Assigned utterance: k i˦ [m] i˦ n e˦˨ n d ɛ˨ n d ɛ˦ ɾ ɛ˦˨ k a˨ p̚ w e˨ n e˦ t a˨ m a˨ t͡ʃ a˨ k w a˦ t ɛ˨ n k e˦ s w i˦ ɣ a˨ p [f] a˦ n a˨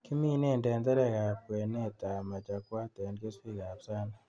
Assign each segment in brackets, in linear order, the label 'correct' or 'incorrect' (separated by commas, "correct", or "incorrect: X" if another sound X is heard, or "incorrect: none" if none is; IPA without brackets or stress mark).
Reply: correct, incorrect: s